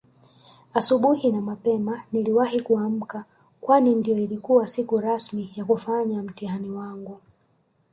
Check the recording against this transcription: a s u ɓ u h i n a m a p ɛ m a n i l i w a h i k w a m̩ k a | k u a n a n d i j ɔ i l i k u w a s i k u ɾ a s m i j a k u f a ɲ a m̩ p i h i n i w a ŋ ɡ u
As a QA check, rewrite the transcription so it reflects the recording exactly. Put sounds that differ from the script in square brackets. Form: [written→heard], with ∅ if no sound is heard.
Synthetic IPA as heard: a s u ɓ u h i n a m a p ɛ m a n i l i w a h i k [w→u] a m̩ k a | k [u→w] a n [a→i] n d i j ɔ i l i k u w a s i k u ɾ a s m i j a k u f a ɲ a m̩ [p→t] i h [i→a] n i w a ŋ ɡ u